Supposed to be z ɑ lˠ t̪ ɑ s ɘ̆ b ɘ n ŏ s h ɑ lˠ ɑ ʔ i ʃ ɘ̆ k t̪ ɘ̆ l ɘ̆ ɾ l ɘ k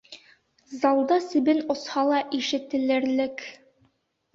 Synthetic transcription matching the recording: z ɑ lˠ d̪ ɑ s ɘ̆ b ɘ n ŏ s h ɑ lˠ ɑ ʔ i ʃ ɘ̆ t̪ ɘ̆ l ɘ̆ ɾ l ɘ k